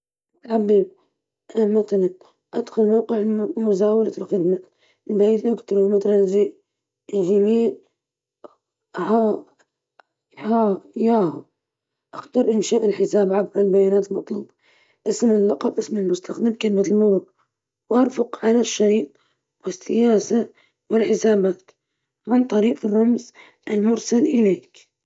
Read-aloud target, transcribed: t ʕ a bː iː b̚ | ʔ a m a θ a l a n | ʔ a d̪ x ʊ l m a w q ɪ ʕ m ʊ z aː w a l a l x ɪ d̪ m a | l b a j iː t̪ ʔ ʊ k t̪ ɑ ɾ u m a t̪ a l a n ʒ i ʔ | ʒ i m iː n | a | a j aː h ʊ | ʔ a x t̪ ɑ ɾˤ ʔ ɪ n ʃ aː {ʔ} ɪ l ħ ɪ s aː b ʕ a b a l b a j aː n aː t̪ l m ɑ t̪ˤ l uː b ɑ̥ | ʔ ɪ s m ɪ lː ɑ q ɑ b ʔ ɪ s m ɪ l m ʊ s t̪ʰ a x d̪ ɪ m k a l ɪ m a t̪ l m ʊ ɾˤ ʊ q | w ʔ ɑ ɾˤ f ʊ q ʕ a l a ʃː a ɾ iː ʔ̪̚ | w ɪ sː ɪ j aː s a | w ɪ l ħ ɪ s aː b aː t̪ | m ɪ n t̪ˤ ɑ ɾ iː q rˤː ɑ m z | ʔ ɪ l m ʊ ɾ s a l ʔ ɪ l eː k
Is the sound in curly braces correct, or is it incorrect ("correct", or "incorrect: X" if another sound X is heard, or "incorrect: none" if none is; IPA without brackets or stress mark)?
correct